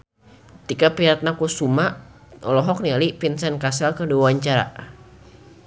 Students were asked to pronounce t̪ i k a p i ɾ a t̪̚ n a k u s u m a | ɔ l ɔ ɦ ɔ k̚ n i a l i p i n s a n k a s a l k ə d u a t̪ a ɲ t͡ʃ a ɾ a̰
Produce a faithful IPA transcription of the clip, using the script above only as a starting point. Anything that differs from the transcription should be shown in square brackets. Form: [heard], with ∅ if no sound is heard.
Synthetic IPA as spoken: t̪ i k a p i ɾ a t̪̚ n a k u s u m a | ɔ l ɔ ɦ ɔ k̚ n i a l i p i n s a n k a s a l k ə d u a [∅] a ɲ t͡ʃ a ɾ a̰